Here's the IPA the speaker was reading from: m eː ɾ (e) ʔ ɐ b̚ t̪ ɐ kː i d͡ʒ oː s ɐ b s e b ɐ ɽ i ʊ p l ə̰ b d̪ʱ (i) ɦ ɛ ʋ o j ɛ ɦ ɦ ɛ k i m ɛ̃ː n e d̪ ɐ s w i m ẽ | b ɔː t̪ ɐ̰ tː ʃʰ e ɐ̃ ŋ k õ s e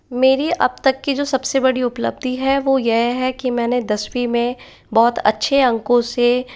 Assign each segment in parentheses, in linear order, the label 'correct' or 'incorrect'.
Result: incorrect, correct

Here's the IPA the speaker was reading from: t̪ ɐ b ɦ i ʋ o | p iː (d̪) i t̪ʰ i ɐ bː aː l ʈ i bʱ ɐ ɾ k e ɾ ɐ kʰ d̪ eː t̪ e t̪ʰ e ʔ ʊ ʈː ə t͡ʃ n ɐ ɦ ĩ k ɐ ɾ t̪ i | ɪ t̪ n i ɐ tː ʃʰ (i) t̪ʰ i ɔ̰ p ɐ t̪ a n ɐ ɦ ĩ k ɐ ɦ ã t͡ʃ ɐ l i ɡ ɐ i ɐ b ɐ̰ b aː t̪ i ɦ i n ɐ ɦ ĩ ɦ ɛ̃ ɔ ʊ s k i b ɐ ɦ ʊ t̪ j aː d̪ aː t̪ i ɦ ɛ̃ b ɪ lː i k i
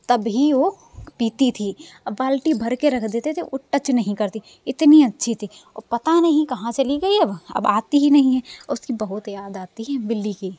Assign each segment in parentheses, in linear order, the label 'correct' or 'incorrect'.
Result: incorrect, correct

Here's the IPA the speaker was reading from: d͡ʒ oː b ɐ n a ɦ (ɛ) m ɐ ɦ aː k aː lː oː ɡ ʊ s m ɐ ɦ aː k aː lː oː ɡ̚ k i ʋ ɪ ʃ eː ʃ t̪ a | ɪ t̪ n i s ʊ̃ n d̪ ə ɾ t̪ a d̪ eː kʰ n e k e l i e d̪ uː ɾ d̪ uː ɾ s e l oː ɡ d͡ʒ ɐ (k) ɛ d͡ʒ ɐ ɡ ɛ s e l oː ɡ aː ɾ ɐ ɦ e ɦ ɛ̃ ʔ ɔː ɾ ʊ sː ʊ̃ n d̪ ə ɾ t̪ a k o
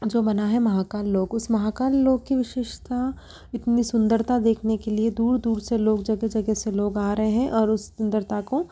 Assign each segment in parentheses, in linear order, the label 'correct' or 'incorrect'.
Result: correct, incorrect

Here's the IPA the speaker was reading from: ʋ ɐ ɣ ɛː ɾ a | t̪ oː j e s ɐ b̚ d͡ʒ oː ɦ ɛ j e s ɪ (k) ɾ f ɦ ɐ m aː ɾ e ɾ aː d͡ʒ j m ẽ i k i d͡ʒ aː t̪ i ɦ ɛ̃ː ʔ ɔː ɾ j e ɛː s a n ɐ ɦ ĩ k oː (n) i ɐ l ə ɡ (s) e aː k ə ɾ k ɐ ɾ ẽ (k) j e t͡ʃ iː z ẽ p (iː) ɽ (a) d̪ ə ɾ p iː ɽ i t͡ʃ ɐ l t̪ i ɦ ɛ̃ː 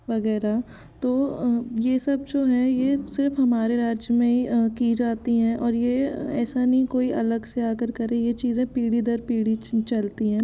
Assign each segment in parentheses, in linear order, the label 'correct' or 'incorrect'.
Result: incorrect, incorrect, correct, incorrect, correct, incorrect

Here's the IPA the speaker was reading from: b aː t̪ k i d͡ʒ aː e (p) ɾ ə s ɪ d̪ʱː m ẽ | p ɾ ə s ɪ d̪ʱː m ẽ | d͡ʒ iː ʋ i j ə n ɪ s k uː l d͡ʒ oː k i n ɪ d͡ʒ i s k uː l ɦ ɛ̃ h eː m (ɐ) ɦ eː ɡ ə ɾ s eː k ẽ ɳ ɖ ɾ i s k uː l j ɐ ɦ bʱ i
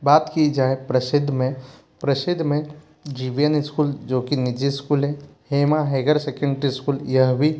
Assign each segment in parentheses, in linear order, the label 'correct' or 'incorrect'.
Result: correct, incorrect

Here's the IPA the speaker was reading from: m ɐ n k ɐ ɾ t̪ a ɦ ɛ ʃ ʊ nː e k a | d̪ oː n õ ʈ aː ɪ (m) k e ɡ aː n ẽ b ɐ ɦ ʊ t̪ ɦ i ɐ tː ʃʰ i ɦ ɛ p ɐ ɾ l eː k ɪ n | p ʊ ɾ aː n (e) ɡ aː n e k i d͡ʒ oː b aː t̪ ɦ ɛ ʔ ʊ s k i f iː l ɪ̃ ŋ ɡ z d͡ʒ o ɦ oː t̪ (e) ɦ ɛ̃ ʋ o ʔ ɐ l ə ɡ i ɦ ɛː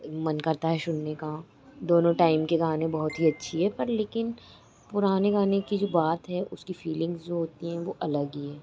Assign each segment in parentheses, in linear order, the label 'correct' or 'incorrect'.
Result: correct, correct, incorrect

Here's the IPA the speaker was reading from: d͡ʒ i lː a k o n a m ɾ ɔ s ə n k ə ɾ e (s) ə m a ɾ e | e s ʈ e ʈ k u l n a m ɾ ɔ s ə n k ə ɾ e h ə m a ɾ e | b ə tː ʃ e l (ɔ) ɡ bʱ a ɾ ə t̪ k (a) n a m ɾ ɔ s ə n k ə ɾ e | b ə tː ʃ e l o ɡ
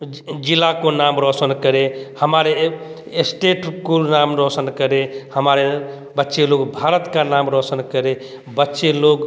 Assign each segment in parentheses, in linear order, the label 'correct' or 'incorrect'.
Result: incorrect, incorrect, correct

